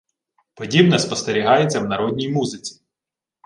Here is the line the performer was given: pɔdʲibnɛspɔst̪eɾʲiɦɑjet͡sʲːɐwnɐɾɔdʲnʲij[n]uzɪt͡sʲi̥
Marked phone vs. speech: incorrect: m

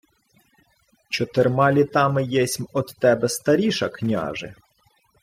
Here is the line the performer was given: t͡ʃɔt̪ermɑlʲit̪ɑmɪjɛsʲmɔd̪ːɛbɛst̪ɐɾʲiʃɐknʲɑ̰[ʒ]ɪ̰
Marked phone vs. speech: correct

